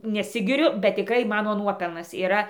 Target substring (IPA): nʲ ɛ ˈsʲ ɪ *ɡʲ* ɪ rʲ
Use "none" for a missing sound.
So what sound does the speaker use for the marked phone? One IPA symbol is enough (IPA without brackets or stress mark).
ɡʲ